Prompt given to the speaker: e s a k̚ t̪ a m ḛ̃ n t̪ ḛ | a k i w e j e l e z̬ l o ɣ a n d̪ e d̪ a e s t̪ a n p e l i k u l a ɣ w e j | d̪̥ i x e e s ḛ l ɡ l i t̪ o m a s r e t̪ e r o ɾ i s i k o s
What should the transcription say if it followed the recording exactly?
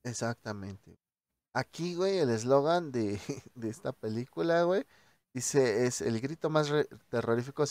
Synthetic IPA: e s a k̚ t̪ a m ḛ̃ n t̪ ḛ | a k i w e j e l e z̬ l o ɣ a n d̪ e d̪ e e s t̪ a p e l i k u l a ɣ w e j | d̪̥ i s e e s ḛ l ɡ ɾ i t̪ o m a s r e t̪ e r o ɾ i f i k o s

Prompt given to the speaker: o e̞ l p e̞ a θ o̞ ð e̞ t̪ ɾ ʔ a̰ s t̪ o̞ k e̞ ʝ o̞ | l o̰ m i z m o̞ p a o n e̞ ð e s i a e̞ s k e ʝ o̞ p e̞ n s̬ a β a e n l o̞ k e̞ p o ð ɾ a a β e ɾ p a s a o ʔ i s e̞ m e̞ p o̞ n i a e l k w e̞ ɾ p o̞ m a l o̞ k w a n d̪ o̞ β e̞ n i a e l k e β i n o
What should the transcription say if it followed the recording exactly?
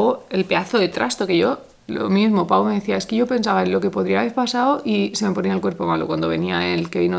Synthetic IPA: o e̞ l p e̞ a θ o̞ ð e̞ t̪ ɾ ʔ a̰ s t̪ o̞ k e̞ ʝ o̞ | l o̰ m i z m o̞ p a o m e̞ ð e θ i a e̞ s k e ʝ o̞ p e̞ n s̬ a β a e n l o̞ k e̞ p o ð ɾ i a β e ɾ p a s a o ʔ i s e̞ m e̞ p o̞ n i a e l k w e̞ ɾ p o̞ m a l o̞ k w a n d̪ o̞ β e̞ n i a e l k e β i n o

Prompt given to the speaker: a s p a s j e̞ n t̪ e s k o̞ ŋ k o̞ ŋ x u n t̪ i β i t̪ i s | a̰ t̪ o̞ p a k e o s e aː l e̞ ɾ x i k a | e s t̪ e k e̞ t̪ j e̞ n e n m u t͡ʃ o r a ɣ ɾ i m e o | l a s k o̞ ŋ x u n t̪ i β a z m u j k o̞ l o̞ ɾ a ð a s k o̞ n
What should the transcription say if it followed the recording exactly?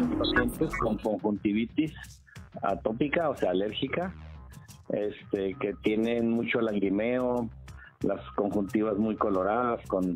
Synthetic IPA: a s p a s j e̞ n t̪ e s k o̞ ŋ k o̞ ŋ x u n t̪ i β i t̪ i s | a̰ t̪ o̞ p i k a o s e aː l e̞ ɾ x i k a | e s t̪ e k e̞ t̪ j e̞ n e n m u t͡ʃ o l a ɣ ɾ i m e o | l a s k o̞ ŋ x u n t̪ i β a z m u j k o̞ l o̞ ɾ a ð a s k o̞ n

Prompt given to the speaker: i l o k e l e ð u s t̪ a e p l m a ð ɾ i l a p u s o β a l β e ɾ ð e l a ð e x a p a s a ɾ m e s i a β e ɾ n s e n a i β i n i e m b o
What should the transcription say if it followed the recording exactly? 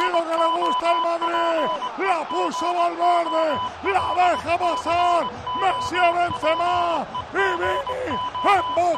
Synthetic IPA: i l o k e l e ɣ u s t̪ a e l m a ð ɾ i l a p u s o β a l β e ɾ ð e l a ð e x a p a s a ɾ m e s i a β e n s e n a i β i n i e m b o

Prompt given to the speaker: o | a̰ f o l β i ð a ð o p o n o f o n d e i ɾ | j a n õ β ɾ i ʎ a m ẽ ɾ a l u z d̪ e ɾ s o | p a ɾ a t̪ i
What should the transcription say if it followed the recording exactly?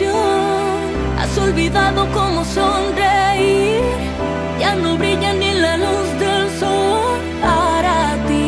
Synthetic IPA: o | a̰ s o l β i ð a ð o k o m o s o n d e i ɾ | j a n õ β ɾ i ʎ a n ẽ l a l u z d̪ e l s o | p a ɾ a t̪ i

